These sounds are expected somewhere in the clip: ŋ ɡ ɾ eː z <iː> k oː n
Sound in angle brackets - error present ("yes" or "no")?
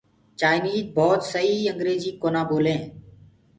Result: no